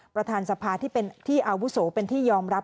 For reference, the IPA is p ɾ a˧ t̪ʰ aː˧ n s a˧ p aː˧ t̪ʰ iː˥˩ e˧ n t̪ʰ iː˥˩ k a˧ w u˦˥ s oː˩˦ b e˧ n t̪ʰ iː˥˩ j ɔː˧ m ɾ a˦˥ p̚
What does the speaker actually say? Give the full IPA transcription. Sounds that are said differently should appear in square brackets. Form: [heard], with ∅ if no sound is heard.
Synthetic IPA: p ɾ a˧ t̪ʰ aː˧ n s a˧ [pʰ] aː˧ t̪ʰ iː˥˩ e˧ n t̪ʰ iː˥˩ [ʔ] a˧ w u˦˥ s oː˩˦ [p] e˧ n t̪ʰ iː˥˩ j ɔː˧ m ɾ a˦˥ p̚